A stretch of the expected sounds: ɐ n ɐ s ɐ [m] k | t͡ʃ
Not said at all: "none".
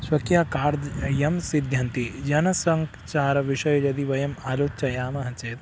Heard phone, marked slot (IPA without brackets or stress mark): ŋ